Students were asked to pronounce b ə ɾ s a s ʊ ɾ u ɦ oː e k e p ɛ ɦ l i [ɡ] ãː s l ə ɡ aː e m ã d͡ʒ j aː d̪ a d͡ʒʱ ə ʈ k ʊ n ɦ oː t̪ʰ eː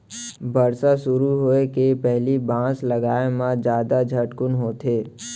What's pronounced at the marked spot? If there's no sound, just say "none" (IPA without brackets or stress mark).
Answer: b